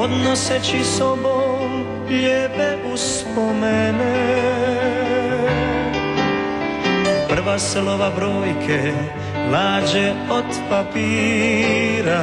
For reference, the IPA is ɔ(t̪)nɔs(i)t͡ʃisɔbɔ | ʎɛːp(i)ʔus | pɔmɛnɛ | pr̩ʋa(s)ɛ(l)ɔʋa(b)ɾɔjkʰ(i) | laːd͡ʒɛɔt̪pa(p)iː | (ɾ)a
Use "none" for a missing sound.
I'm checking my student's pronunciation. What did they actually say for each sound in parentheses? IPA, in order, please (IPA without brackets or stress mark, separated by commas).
d̪, ɛ, ɛ, s, l, b, ɛ, p, ɾ